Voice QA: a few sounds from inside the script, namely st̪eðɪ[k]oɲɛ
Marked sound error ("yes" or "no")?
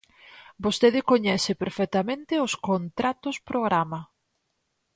no